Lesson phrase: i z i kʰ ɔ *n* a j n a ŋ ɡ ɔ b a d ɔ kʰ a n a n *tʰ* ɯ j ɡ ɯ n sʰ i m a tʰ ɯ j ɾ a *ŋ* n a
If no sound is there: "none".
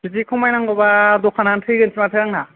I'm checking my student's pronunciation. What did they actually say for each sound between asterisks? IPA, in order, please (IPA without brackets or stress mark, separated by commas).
m, tʰ, ŋ